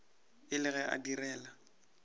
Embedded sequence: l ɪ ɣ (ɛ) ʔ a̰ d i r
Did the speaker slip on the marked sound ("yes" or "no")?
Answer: no